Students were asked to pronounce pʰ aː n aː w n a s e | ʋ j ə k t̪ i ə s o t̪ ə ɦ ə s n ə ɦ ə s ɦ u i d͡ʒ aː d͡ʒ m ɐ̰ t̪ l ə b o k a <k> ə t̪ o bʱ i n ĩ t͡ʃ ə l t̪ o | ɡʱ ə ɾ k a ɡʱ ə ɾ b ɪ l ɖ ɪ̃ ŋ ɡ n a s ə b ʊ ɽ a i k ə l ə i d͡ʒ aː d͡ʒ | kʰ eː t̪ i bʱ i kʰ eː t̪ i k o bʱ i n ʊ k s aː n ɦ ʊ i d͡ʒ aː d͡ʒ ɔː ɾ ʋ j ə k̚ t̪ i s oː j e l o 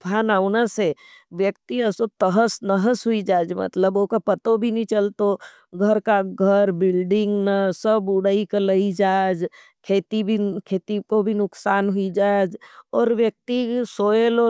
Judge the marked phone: incorrect: p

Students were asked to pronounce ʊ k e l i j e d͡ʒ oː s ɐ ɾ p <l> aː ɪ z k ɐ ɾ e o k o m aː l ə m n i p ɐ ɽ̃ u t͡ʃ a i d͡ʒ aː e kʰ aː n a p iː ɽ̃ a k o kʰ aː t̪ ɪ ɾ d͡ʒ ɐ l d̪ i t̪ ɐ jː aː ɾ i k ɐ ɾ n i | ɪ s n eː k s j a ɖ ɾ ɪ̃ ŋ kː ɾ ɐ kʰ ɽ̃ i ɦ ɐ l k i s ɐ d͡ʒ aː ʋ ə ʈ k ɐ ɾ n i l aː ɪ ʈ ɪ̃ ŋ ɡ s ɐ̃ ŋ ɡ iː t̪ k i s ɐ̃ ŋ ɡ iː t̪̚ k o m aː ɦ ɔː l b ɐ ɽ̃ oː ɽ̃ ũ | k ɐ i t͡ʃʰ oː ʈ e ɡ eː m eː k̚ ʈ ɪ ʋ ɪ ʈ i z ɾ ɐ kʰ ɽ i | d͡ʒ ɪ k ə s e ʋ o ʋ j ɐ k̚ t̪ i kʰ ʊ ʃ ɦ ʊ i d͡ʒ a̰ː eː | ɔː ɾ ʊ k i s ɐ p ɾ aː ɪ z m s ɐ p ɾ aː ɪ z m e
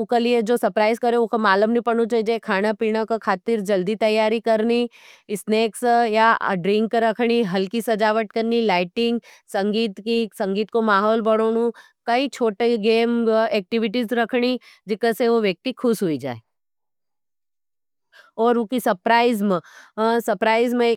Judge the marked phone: incorrect: ɾ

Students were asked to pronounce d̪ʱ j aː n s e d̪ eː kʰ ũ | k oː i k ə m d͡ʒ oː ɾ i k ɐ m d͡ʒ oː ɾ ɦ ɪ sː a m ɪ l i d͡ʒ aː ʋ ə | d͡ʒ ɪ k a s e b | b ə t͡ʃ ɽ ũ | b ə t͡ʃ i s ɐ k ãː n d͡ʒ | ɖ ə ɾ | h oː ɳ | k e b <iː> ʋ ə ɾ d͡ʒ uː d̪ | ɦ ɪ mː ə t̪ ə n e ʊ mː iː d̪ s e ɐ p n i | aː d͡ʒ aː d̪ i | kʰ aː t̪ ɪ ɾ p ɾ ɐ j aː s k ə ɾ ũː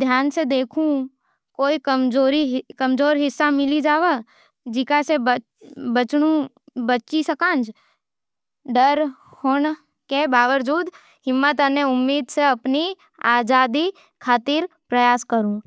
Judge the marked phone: incorrect: aː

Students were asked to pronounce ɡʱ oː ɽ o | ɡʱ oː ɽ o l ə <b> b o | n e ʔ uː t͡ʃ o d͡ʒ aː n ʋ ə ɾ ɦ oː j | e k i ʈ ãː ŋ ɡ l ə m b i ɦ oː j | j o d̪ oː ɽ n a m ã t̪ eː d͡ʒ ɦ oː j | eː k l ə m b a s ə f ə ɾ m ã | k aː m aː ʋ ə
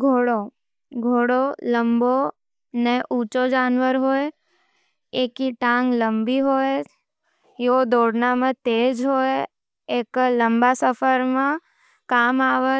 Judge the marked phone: incorrect: m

